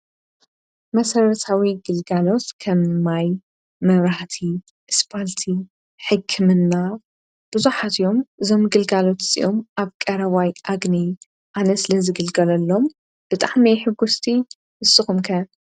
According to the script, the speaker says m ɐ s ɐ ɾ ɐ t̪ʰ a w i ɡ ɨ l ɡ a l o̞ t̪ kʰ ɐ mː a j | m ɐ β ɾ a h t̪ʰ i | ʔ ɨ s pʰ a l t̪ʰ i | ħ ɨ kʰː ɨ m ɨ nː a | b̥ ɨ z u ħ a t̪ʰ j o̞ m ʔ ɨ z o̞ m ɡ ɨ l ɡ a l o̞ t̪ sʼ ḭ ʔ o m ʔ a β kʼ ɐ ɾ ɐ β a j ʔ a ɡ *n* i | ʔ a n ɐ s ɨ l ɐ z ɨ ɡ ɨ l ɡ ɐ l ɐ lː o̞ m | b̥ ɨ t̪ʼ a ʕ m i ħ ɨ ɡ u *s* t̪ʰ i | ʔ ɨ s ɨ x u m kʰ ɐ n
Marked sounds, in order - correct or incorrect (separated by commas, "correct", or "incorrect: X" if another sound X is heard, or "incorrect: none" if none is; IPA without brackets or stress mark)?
correct, correct